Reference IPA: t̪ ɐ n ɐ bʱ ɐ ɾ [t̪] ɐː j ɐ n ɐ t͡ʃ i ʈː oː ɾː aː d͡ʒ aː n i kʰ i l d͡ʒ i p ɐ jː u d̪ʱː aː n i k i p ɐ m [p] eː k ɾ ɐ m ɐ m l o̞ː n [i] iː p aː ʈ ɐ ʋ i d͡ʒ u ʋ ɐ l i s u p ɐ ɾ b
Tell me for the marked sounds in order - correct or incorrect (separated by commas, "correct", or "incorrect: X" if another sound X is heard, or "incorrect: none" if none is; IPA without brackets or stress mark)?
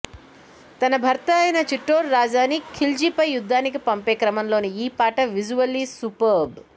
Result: correct, correct, correct